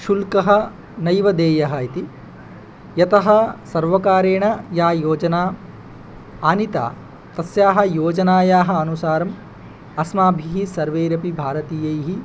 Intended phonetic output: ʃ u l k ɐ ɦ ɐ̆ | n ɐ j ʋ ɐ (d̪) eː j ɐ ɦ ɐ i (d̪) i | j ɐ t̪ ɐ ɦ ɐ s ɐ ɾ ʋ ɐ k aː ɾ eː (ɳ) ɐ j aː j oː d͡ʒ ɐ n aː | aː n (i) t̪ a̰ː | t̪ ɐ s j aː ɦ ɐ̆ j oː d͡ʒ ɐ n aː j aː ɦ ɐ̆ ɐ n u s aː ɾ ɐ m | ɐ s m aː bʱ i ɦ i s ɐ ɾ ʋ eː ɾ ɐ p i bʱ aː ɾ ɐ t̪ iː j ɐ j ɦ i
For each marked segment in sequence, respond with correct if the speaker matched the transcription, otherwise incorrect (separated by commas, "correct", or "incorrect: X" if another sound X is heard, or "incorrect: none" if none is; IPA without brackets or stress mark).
correct, incorrect: t̪, correct, correct